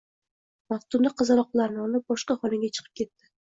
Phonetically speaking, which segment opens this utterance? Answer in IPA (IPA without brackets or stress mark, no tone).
m